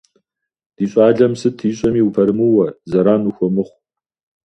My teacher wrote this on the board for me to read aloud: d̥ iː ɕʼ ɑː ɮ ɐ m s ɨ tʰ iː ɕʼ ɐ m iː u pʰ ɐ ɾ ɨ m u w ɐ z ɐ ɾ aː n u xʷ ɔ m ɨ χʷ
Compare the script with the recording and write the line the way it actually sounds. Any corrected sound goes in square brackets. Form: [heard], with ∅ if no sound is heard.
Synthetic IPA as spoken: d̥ iː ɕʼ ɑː ɮ ɐ m s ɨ tʰ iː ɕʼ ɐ m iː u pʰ ɐ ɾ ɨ m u w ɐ z ɐ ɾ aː n u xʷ ɔ m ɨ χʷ